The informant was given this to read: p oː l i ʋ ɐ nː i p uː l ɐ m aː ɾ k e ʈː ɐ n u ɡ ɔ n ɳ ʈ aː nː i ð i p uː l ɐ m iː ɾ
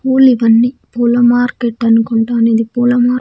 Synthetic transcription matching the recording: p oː l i ʋ ɐ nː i p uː l ɐ m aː ɾ k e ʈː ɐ n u k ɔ ɳ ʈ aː n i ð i p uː l ɐ m aː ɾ